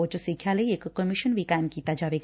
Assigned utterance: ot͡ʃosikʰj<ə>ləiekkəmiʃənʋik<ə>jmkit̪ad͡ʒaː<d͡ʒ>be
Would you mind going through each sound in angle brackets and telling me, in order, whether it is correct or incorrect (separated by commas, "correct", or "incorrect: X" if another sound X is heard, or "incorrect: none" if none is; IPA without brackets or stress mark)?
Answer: incorrect: a, incorrect: a, incorrect: none